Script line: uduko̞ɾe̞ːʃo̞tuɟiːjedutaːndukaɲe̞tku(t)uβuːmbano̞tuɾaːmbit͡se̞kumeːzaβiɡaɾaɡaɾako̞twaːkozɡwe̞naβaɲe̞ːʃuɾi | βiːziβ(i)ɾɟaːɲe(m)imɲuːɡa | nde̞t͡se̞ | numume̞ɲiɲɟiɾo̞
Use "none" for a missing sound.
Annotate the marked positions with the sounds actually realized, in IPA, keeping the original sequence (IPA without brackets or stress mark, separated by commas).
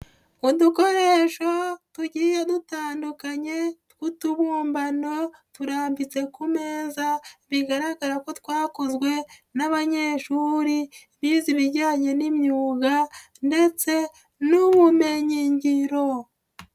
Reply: t, i, n